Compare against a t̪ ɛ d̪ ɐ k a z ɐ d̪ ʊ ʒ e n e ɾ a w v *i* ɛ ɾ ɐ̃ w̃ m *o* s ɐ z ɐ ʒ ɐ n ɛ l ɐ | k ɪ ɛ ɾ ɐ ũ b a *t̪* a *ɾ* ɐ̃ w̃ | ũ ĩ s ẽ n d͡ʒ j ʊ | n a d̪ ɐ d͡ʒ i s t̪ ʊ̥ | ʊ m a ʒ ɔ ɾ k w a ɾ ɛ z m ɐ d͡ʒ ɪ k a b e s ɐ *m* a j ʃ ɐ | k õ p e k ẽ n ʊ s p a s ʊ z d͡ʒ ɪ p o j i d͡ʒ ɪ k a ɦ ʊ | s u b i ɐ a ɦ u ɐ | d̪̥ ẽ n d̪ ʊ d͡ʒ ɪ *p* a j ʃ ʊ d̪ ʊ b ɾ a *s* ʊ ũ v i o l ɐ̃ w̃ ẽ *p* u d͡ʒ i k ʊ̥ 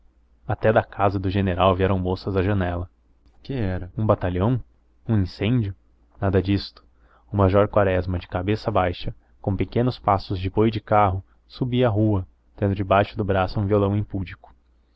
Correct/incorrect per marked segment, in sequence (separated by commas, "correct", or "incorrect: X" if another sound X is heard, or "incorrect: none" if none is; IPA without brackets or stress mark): correct, correct, correct, incorrect: ʎ, incorrect: b, incorrect: b, correct, correct